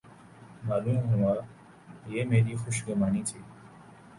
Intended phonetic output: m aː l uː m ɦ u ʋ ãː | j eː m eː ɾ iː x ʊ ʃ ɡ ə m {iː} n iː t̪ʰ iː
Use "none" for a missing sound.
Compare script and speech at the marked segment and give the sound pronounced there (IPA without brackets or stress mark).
aː